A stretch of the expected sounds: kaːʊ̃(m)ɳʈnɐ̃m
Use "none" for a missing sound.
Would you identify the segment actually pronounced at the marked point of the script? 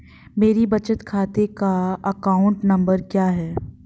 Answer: none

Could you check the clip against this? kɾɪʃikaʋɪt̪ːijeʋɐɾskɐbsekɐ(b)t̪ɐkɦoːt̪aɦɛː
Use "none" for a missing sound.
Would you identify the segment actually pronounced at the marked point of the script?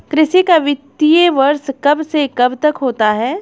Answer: b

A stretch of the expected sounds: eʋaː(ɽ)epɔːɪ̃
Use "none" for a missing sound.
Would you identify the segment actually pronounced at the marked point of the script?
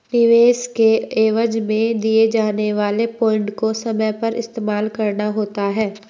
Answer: l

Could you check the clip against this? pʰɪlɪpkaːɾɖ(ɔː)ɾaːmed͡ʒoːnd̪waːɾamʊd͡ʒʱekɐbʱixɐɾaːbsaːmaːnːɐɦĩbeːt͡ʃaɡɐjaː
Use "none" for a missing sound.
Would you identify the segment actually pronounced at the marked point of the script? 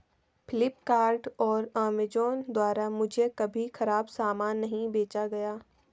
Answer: ɔː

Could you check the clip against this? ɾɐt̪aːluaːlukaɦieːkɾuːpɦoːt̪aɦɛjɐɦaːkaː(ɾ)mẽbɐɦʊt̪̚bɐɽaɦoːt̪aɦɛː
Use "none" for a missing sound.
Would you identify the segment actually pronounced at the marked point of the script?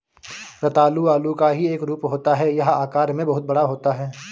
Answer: ɾ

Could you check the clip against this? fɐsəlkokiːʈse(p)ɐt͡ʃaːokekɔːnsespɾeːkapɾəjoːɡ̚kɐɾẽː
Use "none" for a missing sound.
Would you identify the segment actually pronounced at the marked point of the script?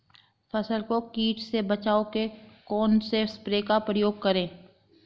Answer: b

